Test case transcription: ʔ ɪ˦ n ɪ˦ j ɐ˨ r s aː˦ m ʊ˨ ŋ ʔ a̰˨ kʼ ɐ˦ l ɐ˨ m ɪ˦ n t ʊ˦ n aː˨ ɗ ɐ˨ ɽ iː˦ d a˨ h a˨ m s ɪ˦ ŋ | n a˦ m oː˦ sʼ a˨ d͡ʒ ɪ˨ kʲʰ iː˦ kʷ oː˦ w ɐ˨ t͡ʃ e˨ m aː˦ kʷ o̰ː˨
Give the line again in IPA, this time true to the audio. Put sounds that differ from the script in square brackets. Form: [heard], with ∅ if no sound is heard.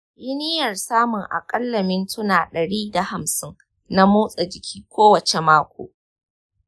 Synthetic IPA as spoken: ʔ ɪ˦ n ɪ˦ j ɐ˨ r s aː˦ m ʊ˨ ŋ ʔ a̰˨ kʼ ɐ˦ [lː] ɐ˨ m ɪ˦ n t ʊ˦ n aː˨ ɗ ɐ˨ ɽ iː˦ d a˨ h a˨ m s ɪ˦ ŋ | n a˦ m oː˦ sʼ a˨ d͡ʒ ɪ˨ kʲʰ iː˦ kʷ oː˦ w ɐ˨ t͡ʃ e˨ m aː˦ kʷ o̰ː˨

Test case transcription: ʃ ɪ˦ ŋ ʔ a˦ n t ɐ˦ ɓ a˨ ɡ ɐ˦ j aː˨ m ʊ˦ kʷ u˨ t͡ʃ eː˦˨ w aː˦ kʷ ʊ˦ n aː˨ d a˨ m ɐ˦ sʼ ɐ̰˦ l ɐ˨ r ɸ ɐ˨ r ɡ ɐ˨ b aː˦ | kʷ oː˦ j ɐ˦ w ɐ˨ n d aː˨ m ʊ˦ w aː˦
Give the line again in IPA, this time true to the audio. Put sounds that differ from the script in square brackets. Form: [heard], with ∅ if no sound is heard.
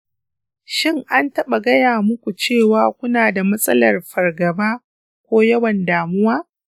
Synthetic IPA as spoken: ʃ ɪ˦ ŋ ʔ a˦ n t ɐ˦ ɓ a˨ ɡ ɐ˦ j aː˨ m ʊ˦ kʷ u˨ t͡ʃ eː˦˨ w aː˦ kʷ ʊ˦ n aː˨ d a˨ m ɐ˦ sʼ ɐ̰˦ l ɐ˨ r ɸ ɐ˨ r ɡ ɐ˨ b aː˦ | kʷ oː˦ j ɐ˦ w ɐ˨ n d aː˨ m ʊ˦ w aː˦

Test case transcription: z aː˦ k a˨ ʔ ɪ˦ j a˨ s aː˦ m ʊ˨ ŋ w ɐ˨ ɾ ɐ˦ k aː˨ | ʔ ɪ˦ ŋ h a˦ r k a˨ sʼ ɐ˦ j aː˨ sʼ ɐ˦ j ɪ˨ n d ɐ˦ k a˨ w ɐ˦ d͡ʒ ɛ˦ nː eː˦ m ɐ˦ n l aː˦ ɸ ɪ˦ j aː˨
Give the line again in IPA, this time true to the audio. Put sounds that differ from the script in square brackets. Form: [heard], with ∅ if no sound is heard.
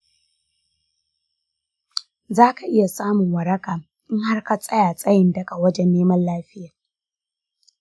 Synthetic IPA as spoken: z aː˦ k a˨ ʔ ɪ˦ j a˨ s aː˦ m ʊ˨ ŋ w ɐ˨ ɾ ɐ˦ k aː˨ | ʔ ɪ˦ ŋ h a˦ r k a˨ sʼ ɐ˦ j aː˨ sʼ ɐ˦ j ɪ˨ n d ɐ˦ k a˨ w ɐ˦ d͡ʒ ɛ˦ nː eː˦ m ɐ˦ n l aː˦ ɸ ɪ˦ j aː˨

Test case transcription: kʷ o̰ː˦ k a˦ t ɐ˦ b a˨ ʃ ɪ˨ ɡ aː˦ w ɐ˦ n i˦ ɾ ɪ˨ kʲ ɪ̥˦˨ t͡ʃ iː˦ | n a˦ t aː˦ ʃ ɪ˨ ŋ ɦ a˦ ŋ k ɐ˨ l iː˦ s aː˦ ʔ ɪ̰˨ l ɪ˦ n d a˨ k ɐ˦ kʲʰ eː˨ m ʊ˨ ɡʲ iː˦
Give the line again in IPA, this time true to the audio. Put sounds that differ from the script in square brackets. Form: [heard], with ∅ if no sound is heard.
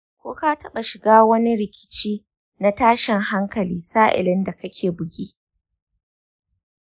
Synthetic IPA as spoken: kʷ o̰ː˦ k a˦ t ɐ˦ [ɓ] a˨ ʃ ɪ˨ ɡ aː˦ w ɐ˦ n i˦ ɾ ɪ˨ kʲ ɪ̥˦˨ t͡ʃ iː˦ | n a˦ t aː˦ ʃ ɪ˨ ŋ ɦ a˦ ŋ k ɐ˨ l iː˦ s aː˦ ʔ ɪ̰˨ l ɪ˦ n d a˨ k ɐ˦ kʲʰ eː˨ [b] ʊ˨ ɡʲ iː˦

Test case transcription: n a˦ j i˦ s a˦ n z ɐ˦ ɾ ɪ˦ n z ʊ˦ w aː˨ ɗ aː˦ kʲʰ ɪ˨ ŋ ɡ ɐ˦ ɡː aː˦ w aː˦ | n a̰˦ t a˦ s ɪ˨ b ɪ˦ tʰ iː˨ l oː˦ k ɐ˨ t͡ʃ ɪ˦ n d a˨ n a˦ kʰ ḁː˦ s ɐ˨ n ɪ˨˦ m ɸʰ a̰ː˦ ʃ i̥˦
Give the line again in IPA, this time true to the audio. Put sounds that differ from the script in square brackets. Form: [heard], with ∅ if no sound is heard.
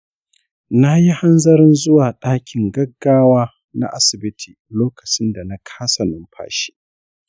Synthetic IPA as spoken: n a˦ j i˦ [h] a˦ n z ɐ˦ ɾ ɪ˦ n z ʊ˦ w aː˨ ɗ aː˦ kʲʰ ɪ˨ ŋ ɡ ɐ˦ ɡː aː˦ w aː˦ | n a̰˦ [ʔ] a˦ s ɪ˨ b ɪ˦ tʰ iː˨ l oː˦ k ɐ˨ t͡ʃ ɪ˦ n d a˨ n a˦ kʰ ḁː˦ s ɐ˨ n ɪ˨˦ m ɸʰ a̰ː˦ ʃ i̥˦

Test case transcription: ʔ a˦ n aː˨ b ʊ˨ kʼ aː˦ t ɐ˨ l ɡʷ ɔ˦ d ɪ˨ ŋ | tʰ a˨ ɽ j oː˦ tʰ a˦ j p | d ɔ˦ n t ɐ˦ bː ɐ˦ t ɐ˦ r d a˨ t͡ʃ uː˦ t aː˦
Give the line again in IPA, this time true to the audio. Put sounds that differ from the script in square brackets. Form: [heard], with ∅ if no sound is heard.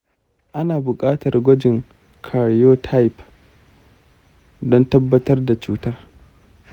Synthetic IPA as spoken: ʔ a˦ n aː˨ b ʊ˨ kʼ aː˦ t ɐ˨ [r] ɡʷ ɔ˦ [d͡ʒ] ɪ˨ ŋ | [kʰ] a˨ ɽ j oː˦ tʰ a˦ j p | d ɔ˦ n t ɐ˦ bː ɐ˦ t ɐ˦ r d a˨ t͡ʃ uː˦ t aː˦

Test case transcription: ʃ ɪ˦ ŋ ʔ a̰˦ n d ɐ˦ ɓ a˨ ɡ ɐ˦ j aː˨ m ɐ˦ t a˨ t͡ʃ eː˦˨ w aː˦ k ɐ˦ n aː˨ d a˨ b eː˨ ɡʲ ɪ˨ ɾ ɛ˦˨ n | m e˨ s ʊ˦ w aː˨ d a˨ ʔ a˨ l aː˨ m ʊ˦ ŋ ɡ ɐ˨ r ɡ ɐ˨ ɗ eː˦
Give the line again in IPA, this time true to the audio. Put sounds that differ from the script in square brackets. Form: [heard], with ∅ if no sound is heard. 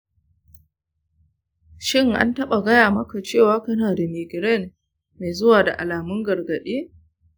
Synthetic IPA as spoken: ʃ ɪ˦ ŋ ʔ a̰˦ n [t] ɐ˦ ɓ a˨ ɡ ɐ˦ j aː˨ m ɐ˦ [k] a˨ t͡ʃ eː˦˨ w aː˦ k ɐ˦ n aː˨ d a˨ [m] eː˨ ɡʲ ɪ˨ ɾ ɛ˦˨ n | m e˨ [z] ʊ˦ w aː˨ d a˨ ʔ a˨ l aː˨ m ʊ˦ ŋ ɡ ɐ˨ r ɡ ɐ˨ ɗ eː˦

